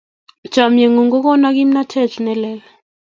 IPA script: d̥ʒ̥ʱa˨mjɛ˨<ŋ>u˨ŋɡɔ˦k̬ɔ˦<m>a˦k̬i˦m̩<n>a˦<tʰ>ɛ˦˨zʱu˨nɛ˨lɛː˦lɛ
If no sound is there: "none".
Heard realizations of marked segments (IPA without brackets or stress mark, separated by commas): ŋ, n, n, tʰ